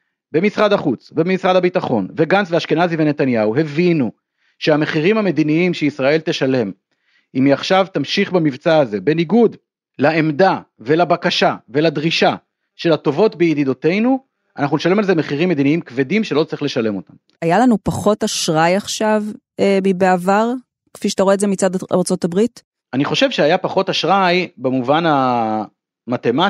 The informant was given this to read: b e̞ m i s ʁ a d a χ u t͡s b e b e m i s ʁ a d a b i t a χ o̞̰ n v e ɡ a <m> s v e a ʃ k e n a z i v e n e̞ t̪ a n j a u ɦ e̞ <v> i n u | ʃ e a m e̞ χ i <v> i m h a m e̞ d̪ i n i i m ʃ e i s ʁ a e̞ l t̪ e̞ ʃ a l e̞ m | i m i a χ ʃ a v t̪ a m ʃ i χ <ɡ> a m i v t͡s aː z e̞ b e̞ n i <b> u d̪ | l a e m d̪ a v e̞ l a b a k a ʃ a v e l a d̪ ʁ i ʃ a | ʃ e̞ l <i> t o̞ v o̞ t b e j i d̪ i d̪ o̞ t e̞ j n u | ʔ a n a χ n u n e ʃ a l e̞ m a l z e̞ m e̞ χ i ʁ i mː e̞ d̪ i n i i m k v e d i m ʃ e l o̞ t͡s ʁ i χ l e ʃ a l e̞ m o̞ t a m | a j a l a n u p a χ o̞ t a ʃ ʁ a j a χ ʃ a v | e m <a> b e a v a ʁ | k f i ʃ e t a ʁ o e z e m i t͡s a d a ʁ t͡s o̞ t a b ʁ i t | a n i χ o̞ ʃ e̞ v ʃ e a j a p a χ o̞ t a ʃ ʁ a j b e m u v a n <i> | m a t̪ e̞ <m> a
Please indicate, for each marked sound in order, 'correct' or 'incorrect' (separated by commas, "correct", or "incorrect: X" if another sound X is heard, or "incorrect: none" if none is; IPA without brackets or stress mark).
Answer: incorrect: n, correct, incorrect: ʁ, incorrect: b, incorrect: ɡ, incorrect: a, incorrect: i, incorrect: a, correct